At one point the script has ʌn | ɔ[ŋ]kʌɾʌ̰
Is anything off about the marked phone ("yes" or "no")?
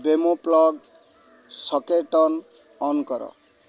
yes